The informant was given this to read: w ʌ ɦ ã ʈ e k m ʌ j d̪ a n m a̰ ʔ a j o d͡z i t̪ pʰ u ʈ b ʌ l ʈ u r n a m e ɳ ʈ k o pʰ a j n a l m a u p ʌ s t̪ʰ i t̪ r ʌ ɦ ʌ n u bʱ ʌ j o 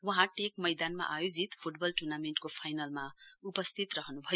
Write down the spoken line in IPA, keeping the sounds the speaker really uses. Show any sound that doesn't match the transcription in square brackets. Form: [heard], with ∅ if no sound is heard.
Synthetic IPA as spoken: w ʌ ɦ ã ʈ e k m ʌ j d̪ a n m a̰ ʔ a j o d͡z i t̪ pʰ u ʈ b ʌ l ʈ u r n a m e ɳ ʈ k o pʰ a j n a l m a u p ʌ s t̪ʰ i t̪ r ʌ ɦ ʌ n u bʱ ʌ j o